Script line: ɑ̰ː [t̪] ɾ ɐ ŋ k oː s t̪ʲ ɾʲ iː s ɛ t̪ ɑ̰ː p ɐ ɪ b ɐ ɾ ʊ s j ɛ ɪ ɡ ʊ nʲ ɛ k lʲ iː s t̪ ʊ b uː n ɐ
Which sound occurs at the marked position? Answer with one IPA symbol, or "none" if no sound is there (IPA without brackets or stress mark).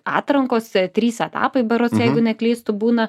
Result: t̪